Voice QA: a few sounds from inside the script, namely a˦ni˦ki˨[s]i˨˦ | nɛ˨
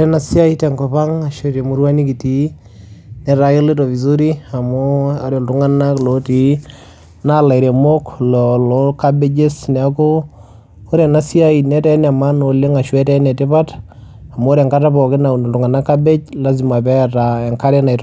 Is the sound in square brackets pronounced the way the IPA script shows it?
no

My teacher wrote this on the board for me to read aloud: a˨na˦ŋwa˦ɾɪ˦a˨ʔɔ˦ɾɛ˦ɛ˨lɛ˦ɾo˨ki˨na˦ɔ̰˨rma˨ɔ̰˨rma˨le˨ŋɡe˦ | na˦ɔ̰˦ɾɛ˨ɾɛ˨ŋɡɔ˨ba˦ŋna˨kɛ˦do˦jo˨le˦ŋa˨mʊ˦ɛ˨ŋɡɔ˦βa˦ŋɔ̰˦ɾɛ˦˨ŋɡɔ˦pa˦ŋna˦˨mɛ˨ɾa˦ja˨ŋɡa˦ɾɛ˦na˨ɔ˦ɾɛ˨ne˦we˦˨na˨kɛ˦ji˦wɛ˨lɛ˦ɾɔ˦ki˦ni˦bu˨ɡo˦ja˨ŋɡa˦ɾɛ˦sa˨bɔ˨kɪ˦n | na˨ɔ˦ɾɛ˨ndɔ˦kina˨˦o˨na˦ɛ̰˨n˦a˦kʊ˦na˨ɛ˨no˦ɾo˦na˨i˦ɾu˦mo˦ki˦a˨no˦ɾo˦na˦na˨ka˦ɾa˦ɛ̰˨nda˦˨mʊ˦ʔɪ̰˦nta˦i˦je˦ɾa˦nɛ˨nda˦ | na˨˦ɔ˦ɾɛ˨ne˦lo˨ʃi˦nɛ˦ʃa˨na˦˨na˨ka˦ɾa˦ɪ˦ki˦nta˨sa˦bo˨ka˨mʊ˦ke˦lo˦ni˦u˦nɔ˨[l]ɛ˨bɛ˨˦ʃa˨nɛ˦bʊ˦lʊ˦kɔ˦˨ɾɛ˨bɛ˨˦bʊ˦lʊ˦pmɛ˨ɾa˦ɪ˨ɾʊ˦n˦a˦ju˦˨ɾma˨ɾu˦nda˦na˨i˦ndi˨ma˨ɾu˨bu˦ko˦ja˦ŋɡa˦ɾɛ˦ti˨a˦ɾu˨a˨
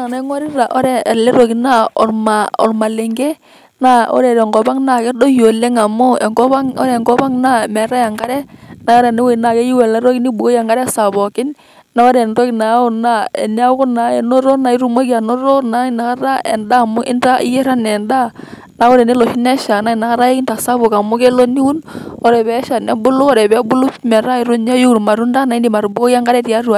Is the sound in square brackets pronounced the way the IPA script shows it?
no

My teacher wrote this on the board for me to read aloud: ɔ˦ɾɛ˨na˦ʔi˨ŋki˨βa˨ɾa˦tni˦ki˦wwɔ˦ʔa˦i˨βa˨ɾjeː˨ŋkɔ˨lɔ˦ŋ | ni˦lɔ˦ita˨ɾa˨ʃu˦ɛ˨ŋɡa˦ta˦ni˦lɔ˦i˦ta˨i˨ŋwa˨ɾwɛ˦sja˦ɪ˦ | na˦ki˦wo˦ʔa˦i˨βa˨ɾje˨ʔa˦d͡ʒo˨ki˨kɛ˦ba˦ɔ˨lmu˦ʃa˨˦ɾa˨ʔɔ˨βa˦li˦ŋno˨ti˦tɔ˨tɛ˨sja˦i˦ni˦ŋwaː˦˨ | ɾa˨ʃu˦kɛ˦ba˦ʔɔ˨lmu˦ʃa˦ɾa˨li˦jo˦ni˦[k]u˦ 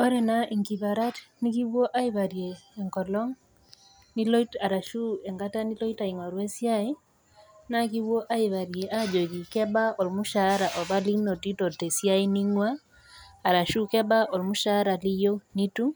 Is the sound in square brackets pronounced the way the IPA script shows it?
no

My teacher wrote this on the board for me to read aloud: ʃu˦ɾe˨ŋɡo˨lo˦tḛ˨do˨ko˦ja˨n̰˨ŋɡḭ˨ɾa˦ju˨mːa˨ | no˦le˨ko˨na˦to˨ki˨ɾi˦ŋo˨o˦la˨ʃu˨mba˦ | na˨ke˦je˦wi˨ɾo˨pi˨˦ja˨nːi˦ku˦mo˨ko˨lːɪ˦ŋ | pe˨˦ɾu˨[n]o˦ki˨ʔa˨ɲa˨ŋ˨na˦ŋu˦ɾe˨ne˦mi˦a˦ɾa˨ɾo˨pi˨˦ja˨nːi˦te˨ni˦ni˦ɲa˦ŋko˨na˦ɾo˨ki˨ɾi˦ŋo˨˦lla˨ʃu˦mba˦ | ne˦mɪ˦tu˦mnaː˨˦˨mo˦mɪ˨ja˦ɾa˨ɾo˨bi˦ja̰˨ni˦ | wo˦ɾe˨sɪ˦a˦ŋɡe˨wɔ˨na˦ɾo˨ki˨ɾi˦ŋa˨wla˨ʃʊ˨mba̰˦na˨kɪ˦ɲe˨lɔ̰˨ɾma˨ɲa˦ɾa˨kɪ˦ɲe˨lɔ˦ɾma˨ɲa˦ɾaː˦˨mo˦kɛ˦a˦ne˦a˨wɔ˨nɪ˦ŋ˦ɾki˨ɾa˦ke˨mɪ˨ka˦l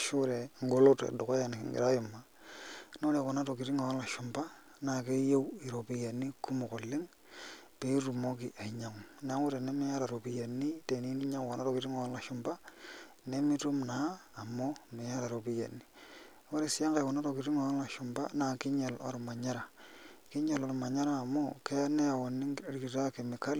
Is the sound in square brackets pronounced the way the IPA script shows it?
no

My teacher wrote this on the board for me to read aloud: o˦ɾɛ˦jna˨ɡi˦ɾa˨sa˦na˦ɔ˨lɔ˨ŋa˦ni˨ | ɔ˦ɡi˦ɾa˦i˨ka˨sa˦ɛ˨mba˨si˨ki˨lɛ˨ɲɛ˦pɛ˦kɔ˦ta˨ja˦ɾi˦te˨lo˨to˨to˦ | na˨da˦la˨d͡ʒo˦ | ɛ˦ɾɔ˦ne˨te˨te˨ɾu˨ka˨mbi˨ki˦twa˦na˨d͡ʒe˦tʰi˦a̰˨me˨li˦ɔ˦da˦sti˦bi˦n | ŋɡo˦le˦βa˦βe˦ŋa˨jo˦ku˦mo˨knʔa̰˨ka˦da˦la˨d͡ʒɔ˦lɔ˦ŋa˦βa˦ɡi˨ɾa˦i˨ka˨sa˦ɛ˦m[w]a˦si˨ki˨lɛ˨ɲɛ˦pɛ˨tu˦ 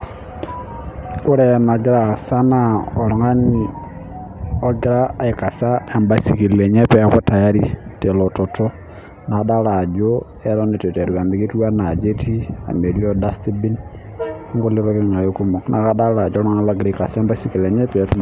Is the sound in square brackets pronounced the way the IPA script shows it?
no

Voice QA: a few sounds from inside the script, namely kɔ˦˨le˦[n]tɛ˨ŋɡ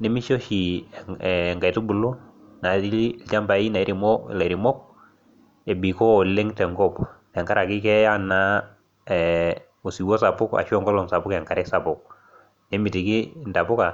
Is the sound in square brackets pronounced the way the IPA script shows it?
no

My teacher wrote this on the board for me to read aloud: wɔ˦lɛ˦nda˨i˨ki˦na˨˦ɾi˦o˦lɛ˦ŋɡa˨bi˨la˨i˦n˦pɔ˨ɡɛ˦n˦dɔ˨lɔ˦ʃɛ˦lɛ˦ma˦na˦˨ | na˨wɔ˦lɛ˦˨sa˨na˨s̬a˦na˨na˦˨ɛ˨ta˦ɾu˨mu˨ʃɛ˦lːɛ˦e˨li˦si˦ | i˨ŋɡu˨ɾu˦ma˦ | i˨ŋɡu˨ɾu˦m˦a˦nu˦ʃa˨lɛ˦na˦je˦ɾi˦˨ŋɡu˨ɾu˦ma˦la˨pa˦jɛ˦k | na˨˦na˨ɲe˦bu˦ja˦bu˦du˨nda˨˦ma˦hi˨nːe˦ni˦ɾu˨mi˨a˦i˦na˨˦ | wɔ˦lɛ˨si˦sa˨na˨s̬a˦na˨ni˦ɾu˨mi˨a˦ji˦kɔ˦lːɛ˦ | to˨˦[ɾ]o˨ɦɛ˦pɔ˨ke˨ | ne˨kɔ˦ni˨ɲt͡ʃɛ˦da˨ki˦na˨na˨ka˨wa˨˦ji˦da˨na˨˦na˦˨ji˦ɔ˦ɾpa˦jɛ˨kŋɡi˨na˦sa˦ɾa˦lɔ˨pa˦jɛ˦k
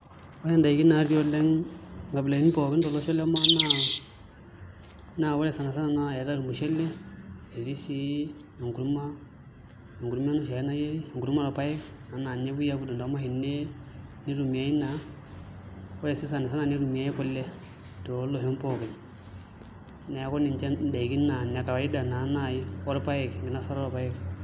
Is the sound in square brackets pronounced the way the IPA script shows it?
no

